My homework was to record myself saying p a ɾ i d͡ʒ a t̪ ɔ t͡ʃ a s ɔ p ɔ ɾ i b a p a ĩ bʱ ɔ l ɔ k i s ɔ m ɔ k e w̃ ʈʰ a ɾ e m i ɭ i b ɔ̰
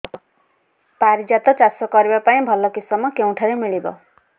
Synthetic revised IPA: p a ɾ i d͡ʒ a t̪ ɔ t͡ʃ a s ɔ k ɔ ɾ i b a p a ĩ bʱ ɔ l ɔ k i s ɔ m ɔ k e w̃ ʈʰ a ɾ e m i ɭ i b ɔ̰